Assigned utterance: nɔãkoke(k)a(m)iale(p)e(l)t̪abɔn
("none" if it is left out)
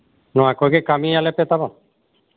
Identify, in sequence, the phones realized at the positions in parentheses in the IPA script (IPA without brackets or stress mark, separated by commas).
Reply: k, m, p, none